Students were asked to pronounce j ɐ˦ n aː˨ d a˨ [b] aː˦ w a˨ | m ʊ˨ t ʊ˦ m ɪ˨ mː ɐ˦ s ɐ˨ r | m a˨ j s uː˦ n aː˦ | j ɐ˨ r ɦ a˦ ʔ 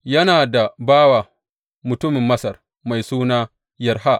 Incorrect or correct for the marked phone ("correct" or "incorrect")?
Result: correct